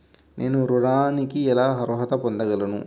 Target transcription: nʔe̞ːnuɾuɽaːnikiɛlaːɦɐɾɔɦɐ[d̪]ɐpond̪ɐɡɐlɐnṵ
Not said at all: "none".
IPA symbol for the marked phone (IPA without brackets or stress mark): t̪